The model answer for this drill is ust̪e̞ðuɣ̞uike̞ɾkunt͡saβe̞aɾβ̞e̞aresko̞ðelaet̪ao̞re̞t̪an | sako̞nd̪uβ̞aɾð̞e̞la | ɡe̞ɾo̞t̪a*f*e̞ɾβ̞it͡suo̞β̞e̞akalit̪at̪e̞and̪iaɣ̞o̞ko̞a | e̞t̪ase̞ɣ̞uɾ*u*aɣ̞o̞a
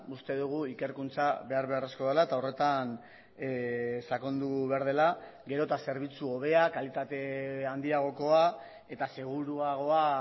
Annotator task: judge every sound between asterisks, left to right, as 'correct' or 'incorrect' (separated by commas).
incorrect, correct